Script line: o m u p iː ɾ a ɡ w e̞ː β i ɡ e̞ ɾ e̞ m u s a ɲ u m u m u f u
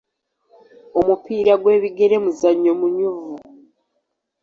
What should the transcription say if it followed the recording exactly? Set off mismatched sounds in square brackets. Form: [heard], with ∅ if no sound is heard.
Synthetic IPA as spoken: o m u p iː ɾ a ɡ w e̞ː β i ɡ e̞ ɾ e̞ m u [z] a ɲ [o] m u [ɲ] u [v] u